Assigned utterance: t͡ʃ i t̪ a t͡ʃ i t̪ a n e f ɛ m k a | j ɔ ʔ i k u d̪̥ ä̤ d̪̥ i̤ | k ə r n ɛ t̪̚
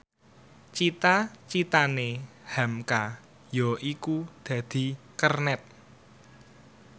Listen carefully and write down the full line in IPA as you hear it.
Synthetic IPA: t͡ʃ i t̪ a t͡ʃ i t̪ a n e h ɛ m k a | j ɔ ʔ i k u d̪̥ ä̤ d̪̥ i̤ | k ə r n ɛ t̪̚